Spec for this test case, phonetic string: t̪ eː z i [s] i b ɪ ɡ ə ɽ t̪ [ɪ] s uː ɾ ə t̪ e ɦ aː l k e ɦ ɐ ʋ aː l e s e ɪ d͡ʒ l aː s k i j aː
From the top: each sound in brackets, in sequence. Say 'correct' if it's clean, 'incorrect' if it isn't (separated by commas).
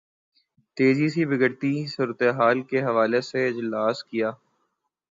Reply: correct, incorrect